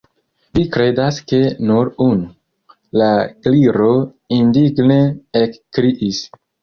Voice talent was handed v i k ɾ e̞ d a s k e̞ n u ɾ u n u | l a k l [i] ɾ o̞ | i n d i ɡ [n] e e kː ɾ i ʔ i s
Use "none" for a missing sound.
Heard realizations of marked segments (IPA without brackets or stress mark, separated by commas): i, n